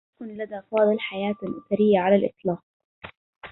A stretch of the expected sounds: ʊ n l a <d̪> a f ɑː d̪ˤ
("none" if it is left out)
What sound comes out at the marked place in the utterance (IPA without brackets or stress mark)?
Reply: d̪